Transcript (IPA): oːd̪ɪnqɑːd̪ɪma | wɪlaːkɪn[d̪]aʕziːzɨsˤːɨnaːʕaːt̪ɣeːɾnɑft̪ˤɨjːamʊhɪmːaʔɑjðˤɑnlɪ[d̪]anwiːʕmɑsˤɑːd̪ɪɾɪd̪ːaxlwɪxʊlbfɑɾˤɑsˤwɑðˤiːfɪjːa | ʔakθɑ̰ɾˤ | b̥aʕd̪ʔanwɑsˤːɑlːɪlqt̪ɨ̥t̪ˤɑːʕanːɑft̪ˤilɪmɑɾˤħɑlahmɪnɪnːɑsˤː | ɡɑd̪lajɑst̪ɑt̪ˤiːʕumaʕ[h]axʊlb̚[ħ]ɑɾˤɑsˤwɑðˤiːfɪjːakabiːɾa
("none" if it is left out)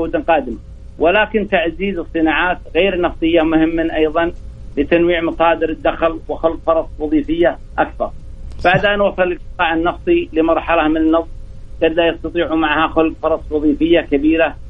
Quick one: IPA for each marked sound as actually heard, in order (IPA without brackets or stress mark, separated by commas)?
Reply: t̪, t̪, h, f